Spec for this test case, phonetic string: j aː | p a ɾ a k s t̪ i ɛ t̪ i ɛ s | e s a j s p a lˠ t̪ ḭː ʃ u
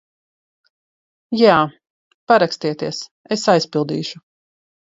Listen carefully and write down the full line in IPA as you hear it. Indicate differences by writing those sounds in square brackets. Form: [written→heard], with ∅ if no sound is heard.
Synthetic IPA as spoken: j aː | p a ɾ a k s t̪ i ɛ t̪ i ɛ s | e s a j s p [a→i] lˠ [t̪→d̪] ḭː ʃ u